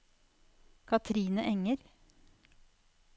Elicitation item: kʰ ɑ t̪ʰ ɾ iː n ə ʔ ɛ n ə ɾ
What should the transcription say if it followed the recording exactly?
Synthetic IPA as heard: kʰ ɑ t̪ʰ ɾ iː n ə ʔ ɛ ŋ ə ɾ